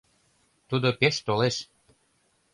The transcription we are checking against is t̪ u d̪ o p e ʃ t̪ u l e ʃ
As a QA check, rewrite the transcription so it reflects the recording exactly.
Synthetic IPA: t̪ u d̪ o p e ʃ t̪ o l e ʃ